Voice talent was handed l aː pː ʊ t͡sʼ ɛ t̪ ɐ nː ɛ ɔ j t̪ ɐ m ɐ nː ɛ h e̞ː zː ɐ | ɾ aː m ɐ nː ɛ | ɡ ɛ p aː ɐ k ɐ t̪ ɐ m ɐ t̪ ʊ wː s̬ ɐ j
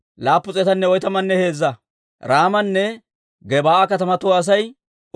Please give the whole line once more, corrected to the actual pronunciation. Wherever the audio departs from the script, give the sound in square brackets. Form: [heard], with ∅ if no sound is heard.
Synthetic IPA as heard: l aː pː ʊ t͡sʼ ɛ t̪ ɐ nː ɛ ɔ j t̪ ɐ m ɐ nː ɛ h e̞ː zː ɐ | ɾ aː m ɐ nː ɛ | ɡ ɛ [b] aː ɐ k ɐ t̪ ɐ m ɐ t̪ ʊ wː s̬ ɐ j